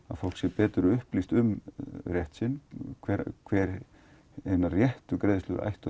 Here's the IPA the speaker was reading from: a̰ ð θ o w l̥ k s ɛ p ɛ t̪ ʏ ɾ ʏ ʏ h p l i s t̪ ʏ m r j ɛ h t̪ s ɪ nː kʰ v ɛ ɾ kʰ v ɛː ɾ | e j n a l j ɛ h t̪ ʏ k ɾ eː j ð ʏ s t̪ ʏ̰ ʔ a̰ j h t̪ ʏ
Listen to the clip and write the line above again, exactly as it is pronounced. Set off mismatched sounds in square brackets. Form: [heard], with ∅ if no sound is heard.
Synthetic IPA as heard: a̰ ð [f] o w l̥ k s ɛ p [ɛː] t̪ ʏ ɾ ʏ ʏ h p l i s t̪ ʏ m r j ɛ h t̪ s ɪ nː kʰ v ɛ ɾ kʰ v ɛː ɾ | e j n a [r] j ɛ h t̪ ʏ k ɾ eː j ð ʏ s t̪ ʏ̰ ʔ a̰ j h t̪ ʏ